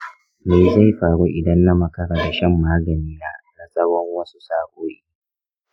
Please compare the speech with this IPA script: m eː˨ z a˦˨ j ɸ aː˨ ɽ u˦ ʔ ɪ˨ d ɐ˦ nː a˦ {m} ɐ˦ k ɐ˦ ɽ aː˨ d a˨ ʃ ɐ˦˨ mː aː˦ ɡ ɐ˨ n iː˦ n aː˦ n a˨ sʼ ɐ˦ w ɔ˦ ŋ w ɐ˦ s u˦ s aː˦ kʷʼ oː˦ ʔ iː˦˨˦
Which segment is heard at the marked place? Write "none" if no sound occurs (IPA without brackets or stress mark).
m